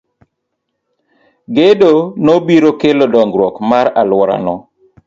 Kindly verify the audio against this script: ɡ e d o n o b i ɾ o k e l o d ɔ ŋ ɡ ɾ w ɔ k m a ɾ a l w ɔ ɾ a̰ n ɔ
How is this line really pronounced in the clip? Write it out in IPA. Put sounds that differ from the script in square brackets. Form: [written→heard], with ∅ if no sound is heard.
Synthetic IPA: ɡ e d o n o b i ɾ o k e l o d ɔ ŋ ɡ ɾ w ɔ k m a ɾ a l w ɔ ɾ a̰ n ɔ